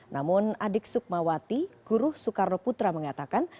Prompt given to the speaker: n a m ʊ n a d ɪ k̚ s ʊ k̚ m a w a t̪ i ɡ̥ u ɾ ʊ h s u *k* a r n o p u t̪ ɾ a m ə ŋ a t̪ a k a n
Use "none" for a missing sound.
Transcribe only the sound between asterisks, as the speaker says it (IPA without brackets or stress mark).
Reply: k